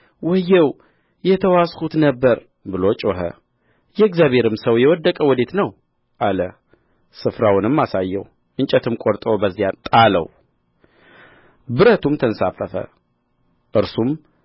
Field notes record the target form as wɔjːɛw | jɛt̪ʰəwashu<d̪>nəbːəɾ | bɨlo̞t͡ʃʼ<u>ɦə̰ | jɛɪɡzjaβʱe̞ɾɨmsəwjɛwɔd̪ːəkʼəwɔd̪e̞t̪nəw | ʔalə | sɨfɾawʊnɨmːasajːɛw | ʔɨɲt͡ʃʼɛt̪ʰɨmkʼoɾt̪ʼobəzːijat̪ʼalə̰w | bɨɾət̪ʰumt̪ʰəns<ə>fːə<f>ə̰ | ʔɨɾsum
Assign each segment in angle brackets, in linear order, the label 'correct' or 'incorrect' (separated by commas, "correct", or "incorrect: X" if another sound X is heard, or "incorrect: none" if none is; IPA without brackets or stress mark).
incorrect: t̪, incorrect: o, incorrect: a, correct